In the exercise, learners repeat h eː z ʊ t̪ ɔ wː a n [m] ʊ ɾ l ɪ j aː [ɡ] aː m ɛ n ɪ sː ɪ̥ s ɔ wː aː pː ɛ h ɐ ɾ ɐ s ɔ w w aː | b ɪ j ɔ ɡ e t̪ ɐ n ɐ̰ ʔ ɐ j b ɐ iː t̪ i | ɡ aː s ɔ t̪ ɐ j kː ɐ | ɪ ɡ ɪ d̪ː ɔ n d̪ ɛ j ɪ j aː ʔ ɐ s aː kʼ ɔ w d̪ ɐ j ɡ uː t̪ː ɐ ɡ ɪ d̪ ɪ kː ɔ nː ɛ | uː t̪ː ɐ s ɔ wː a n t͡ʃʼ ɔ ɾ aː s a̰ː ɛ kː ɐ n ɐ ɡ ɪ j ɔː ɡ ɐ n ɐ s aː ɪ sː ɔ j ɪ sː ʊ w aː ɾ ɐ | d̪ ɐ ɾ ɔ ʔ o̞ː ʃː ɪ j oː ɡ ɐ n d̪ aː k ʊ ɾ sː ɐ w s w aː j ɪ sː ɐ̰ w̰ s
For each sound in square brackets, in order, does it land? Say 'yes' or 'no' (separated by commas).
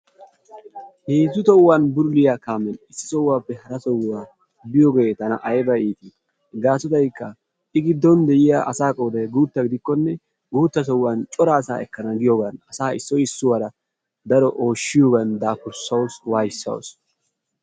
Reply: no, no